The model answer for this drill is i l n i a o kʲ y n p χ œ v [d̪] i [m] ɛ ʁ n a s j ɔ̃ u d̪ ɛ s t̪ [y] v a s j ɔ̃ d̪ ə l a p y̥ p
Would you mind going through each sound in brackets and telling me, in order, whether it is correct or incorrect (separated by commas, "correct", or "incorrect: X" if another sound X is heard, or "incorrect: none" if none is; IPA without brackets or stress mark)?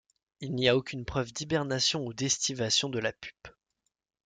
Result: correct, incorrect: b, incorrect: i